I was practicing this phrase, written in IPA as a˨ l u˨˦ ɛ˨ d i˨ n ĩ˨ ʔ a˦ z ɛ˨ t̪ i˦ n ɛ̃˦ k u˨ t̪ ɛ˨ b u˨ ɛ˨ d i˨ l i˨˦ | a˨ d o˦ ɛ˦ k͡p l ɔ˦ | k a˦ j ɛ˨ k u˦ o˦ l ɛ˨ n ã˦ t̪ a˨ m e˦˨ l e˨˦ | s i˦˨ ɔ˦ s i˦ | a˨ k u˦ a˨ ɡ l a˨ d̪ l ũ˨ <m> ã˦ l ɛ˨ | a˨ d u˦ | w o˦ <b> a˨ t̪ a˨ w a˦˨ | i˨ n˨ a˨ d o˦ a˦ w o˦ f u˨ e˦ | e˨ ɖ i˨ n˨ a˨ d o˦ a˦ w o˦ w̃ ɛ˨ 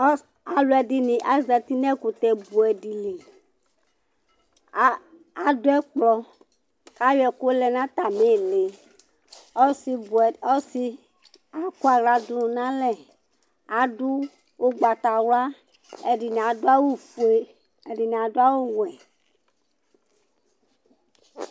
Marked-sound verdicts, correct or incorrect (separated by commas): incorrect, incorrect